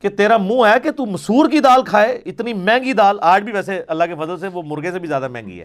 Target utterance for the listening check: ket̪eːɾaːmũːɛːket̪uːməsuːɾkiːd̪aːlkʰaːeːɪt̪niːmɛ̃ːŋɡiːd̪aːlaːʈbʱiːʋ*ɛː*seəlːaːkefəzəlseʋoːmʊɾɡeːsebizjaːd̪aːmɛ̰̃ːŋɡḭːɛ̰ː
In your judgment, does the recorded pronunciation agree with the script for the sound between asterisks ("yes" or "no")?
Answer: yes